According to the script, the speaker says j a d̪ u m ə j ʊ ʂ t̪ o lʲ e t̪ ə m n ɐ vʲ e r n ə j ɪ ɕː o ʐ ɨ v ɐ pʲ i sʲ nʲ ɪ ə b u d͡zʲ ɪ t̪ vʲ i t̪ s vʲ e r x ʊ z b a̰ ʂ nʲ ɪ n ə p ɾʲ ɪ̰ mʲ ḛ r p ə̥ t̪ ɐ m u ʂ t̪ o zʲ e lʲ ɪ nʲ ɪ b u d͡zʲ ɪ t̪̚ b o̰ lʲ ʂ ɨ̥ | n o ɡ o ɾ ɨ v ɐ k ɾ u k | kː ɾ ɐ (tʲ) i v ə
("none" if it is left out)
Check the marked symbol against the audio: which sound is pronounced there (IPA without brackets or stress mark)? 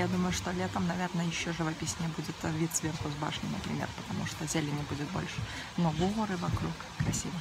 sʲ